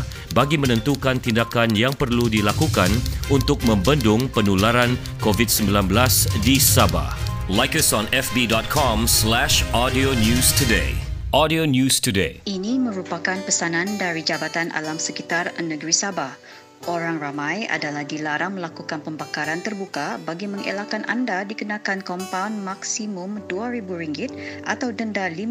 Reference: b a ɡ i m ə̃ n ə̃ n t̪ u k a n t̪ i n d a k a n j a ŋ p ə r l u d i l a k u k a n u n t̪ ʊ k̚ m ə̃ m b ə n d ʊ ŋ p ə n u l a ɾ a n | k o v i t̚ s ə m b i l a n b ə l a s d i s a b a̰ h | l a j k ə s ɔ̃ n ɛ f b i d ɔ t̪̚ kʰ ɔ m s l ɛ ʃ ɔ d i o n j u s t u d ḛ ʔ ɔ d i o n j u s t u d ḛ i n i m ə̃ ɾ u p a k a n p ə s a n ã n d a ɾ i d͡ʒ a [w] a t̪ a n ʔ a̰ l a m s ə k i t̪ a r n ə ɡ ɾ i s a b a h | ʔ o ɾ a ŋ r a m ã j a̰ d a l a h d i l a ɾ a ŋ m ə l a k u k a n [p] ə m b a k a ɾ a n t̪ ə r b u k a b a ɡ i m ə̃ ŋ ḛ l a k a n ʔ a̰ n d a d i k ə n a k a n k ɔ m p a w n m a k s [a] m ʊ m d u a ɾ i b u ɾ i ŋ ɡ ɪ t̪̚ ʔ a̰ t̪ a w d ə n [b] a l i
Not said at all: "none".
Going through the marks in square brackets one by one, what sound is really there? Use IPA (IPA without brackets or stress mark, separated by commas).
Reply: b, p, i, d